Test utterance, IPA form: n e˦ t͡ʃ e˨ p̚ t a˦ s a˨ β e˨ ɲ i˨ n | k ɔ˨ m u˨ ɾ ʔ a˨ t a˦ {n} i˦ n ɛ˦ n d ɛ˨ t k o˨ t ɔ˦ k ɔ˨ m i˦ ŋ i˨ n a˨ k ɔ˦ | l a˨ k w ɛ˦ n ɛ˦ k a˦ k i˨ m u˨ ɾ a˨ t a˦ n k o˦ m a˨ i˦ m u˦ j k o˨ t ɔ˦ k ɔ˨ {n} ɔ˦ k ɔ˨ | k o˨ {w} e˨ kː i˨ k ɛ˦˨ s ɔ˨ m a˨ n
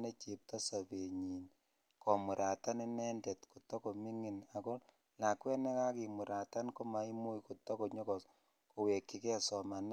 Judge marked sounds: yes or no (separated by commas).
yes, no, yes